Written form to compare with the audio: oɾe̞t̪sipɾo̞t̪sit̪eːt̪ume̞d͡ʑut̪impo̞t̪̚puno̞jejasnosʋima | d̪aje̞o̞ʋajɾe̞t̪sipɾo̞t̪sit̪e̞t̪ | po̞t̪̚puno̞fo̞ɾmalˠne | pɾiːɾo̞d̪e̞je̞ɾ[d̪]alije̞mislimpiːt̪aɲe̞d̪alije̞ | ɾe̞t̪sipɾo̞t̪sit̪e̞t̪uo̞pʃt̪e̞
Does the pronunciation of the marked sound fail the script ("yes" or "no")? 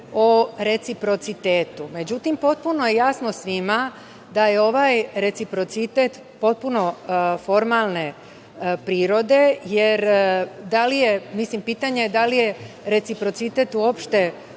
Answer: no